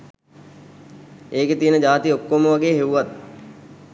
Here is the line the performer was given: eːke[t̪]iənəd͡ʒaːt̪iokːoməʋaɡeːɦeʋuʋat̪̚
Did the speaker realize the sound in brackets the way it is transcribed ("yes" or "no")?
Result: yes